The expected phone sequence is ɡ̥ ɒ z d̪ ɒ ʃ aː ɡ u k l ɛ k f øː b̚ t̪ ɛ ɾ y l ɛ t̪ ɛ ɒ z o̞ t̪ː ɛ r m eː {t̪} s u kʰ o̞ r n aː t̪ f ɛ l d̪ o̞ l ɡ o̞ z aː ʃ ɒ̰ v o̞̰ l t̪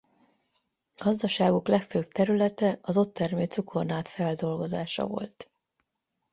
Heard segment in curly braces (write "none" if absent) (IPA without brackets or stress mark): t̪